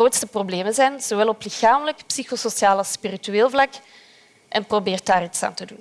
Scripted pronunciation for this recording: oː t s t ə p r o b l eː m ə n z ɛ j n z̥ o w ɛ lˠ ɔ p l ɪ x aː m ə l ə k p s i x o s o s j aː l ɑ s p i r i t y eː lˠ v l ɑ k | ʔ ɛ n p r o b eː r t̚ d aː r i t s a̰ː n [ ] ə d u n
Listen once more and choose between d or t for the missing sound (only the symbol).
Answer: t